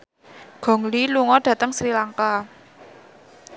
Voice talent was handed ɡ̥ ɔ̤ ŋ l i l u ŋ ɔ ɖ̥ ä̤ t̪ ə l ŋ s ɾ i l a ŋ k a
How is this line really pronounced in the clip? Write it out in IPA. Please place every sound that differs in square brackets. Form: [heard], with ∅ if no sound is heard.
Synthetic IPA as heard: ɡ̥ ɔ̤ ŋ l i l u ŋ ɔ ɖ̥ ä̤ t̪ ə [∅] ŋ s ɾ i l a ŋ k a